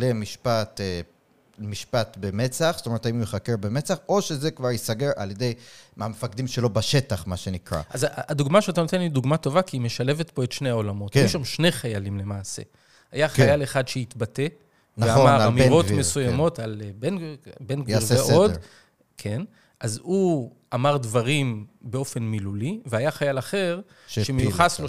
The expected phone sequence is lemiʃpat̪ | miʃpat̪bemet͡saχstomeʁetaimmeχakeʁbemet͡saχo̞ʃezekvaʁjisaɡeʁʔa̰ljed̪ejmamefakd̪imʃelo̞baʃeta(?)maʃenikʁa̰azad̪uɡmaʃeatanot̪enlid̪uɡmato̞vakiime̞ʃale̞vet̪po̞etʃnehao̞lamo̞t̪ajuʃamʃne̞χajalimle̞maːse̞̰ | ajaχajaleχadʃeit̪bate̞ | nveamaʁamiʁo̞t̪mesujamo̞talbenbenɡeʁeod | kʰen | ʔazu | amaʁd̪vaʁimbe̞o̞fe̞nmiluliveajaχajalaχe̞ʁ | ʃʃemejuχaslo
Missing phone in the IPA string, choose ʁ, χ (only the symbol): χ